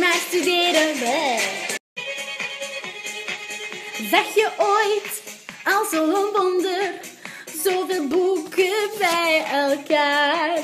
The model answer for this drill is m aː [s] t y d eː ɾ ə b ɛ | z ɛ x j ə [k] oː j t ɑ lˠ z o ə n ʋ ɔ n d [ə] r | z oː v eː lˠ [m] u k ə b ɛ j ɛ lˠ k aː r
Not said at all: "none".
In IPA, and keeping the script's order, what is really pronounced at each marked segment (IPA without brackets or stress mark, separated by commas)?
s, ʔ, ə, b